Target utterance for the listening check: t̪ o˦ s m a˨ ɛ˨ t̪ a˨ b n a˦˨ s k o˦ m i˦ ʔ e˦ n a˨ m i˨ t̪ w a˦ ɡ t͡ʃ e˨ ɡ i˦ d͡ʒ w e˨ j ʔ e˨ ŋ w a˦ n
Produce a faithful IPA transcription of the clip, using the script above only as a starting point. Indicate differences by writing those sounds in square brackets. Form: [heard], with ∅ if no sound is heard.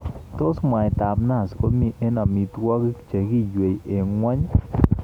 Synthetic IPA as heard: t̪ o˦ s m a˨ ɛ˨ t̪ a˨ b n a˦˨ s k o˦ m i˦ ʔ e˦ n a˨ m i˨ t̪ w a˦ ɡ t͡ʃ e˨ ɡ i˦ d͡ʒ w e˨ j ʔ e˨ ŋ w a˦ [ɲ]